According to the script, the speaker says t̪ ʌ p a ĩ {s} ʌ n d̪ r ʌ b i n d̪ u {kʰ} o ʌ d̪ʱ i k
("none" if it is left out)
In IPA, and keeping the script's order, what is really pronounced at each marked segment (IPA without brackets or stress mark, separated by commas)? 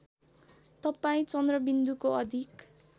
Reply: t͡s, k